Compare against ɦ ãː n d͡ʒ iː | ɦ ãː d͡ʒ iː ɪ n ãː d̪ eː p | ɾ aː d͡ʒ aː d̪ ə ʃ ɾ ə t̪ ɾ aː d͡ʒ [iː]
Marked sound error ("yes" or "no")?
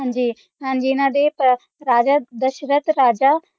yes